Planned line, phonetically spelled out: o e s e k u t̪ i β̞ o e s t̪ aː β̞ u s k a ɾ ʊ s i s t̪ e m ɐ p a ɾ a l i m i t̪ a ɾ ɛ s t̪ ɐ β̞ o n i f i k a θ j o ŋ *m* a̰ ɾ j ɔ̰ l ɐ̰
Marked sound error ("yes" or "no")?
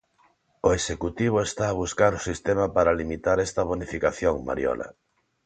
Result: no